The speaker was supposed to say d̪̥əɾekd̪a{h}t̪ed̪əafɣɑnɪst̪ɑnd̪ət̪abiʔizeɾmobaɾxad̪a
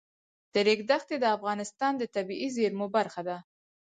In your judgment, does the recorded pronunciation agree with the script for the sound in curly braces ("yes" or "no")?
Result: no